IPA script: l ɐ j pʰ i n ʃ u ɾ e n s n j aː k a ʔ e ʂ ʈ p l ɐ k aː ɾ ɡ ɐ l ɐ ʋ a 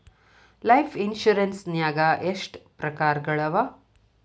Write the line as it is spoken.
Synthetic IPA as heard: l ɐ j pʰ i n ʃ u ɾ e n s n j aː ɡ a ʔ e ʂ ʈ p ɾ ɐ k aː ɾ ɡ ɐ ɭ ɐ ʋ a

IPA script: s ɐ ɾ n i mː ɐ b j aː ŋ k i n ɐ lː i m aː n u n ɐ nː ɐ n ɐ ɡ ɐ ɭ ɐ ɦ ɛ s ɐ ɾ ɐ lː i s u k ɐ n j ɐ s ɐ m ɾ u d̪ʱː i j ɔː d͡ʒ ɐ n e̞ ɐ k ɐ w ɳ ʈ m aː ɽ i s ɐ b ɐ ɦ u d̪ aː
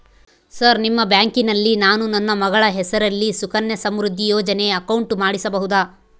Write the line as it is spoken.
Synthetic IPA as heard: s ɐ ɾ n i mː ɐ b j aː ŋ k i n ɐ lː i n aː n u n ɐ nː ɐ m ɐ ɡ ɐ ɭ ɐ ɦ ɛ s ɐ ɾ ɐ lː i s u k ɐ n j ɐ s ɐ m ɾ u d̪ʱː i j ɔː d͡ʒ ɐ n e̞ ɐ k ɐ w ɳ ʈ m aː ɽ i s ɐ b ɐ ɦ u d̪ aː

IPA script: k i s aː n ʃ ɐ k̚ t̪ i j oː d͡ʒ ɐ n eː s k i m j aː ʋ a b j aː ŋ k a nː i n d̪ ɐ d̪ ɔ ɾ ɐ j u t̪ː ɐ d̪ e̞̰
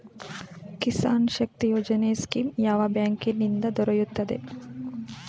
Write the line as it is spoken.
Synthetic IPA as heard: k i s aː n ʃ ɐ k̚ t̪ i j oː d͡ʒ ɐ n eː s k i m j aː ʋ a b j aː ŋ k i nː i n d̪ ɐ d̪ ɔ ɾ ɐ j u t̪ː ɐ d̪ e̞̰

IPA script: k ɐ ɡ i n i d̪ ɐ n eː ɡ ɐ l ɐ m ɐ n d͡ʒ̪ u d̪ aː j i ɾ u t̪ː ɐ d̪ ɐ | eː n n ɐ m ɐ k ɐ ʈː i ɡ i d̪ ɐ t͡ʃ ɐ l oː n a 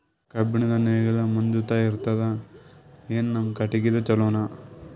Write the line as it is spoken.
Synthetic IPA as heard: k ɐ b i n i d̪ ɐ n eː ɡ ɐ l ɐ m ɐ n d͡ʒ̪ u t̪ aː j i ɾ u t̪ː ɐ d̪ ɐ | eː n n ɐ m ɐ k ɐ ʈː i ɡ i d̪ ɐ t͡ʃ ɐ l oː n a

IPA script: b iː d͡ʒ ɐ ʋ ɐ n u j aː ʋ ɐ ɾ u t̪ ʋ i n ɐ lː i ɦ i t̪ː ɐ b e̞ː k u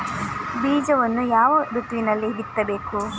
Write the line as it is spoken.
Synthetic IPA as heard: b iː d͡ʒ ɐ ʋ ɐ nː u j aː ʋ ɐ ɾ u t̪ ʋ i n ɐ lː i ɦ i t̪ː ɐ b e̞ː k u

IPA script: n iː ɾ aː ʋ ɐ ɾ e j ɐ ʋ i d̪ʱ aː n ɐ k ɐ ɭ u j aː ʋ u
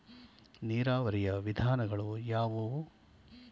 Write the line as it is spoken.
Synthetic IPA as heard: n iː ɾ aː ʋ ɐ ɾ i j ɐ ʋ i d̪ʱ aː n ɐ ɡ ɐ ɭ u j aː ʋ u

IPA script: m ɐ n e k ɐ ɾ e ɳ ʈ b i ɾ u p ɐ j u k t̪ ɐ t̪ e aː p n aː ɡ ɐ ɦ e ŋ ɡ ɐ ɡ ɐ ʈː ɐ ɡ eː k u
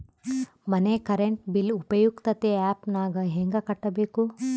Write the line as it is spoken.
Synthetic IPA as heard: m ɐ n e k ɐ ɾ e ɳ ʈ b i l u p ɐ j u k t̪ ɐ t̪ e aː p n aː ɡ ɐ ɦ e ŋ ɡ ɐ k ɐ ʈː ɐ b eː k u

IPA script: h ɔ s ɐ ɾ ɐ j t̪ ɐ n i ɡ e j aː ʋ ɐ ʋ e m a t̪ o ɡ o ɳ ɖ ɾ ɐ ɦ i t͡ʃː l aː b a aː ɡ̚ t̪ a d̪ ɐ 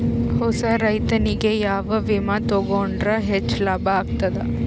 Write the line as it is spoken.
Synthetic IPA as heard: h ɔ s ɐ ɾ ɐ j t̪ ɐ n i ɡ e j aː ʋ ɐ ʋ i m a t̪ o ɡ o ɳ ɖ ɾ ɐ ɦ e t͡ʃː l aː b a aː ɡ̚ t̪ ɐ d̪ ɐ

